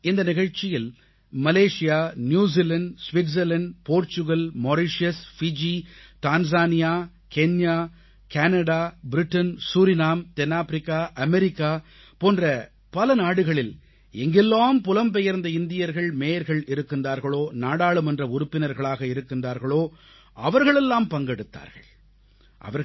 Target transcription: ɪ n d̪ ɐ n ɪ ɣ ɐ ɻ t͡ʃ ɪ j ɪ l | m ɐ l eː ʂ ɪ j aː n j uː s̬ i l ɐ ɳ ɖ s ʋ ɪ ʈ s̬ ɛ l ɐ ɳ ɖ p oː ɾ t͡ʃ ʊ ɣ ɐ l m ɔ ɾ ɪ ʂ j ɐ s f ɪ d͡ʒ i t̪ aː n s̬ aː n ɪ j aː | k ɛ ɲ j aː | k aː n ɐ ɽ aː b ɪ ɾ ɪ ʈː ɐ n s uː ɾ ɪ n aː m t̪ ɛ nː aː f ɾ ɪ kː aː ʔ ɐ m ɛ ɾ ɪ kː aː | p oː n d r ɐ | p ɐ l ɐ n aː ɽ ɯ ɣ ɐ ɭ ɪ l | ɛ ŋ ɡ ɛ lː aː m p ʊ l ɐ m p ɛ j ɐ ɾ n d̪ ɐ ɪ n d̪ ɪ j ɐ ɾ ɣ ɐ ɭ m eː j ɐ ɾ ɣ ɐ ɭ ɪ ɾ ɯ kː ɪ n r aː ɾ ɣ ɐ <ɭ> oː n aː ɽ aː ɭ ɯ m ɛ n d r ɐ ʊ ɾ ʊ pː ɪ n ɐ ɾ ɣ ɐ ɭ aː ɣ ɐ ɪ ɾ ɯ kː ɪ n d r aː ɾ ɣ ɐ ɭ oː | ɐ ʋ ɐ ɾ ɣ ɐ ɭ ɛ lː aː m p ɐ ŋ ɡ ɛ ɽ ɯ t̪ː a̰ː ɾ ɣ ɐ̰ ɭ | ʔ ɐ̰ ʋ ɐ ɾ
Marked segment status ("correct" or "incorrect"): correct